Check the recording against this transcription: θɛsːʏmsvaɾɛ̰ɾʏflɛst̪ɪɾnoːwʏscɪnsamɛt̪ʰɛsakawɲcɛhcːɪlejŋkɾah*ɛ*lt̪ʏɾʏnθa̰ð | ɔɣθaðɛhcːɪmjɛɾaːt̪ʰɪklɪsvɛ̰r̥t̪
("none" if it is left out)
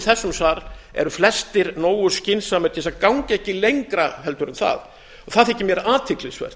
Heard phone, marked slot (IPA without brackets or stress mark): ɛ